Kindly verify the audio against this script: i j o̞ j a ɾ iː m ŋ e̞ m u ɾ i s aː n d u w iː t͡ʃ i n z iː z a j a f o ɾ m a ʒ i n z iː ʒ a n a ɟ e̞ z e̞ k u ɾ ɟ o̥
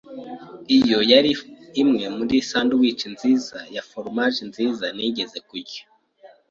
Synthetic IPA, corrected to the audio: i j o̞ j a ɾ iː m ŋ e̞ m u ɾ i s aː n d u w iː t͡ʃ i n z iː z a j a f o ɾ m a ʒ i n z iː z a n i ɟ e̞ z e̞ k u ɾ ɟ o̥